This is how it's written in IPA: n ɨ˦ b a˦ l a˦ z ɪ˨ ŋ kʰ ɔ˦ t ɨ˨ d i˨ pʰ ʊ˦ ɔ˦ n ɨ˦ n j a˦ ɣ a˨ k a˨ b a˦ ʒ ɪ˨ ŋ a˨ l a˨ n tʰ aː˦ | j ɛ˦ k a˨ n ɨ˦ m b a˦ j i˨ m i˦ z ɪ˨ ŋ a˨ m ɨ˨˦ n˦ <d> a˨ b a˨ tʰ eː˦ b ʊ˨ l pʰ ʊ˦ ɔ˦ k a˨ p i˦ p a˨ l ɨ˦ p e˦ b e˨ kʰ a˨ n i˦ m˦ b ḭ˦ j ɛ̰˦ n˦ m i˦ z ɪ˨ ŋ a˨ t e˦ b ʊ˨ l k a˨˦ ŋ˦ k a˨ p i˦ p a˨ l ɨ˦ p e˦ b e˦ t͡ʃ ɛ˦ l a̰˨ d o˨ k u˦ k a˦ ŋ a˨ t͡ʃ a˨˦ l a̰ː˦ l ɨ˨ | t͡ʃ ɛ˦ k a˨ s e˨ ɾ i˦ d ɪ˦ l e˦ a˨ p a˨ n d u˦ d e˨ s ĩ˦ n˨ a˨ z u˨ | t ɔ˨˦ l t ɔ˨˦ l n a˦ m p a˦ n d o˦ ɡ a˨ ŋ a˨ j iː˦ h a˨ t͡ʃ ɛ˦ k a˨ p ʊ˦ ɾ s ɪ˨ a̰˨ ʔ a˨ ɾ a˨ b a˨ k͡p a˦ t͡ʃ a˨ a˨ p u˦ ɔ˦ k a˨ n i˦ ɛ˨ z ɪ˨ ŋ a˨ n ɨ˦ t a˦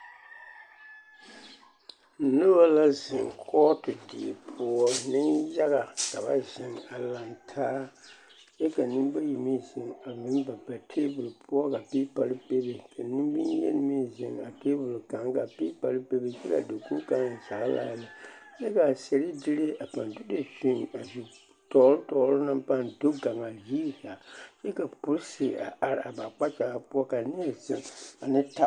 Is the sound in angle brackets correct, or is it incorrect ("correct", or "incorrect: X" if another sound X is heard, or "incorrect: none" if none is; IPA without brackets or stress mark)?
incorrect: b